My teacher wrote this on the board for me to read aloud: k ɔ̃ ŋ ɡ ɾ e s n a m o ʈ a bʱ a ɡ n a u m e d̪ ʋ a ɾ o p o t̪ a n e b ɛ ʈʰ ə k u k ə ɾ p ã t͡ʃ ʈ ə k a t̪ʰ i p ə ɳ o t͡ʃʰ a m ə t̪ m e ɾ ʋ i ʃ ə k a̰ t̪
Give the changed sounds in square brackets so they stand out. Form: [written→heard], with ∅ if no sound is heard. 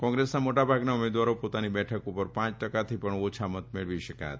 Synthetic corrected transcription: k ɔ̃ ŋ ɡ ɾ e s n a m o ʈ a bʱ a ɡ n a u m e d̪ ʋ a ɾ o p o t̪ a n [e→i] b ɛ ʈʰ ə k u [k→p] ə ɾ p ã t͡ʃ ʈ ə k a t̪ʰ i p ə ɳ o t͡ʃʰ a m ə t̪ m e [ɾ→ɭ] ʋ i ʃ ə k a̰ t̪

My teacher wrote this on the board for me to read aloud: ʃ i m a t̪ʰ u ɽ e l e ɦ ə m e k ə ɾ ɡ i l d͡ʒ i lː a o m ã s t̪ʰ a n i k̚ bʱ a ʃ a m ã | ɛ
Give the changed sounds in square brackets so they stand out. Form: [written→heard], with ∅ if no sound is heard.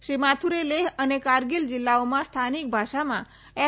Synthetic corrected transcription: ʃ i m a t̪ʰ u [ɽ→ɾ] e l e ɦ ə [m→n] e k [ə→a] ɾ ɡ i l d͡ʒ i lː a o m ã s t̪ʰ a n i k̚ bʱ a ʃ a m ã | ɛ

